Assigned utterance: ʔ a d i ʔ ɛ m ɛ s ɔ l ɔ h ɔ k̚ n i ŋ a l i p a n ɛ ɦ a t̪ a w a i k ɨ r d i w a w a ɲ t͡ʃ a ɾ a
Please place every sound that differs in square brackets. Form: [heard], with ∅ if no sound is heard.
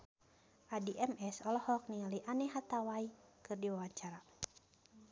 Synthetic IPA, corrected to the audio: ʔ a d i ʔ ɛ m ɛ s ɔ l ɔ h ɔ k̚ n i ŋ a l i [ʔ] a n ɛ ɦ a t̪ a w a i k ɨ r d i w a w a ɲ t͡ʃ a ɾ a